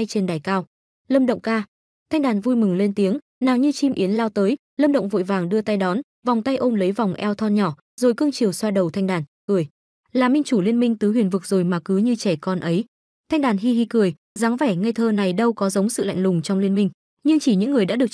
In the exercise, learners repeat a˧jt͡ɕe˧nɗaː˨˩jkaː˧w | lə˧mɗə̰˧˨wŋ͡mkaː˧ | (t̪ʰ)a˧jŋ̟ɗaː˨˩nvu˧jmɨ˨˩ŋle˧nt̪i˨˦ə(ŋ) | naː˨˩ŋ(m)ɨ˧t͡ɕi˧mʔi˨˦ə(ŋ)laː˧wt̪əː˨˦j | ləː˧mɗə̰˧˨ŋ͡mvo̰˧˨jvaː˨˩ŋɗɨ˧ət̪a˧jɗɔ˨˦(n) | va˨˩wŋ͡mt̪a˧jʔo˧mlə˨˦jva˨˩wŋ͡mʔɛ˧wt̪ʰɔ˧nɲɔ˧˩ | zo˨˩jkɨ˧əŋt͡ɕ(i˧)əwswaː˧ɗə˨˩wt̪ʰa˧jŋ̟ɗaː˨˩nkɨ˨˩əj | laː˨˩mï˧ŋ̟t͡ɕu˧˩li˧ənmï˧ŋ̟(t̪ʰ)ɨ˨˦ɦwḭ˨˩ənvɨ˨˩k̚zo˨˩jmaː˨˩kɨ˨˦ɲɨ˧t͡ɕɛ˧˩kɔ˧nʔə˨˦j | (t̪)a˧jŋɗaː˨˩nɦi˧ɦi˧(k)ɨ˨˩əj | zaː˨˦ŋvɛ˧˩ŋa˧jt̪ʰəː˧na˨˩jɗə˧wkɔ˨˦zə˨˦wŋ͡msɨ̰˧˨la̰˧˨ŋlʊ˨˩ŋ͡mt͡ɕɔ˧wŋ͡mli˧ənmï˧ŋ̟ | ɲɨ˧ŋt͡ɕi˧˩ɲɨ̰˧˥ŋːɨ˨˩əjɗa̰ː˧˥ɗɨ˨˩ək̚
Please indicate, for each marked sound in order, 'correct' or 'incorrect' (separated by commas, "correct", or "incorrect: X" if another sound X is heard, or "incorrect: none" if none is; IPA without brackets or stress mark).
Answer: correct, correct, incorrect: ɲ, incorrect: n, correct, incorrect: i˨˩, incorrect: t̪, incorrect: t̪ʰ, correct